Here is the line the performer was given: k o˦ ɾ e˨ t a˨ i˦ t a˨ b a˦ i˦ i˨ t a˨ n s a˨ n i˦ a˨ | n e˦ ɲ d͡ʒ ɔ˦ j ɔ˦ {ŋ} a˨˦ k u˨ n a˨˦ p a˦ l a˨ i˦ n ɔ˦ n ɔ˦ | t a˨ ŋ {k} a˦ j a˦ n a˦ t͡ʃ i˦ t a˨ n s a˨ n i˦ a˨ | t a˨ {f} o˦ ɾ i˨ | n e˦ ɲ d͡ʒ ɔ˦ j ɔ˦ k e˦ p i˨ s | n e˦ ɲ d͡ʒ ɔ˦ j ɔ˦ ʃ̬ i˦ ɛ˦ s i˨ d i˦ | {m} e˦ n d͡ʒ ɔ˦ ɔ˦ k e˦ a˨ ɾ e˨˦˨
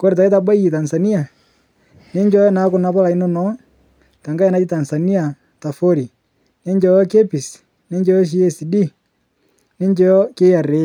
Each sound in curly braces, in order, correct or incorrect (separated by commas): incorrect, incorrect, correct, incorrect